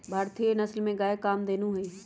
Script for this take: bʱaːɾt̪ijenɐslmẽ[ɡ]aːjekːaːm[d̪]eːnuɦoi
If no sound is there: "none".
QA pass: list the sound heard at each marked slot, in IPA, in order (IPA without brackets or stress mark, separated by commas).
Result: ɡ, d̪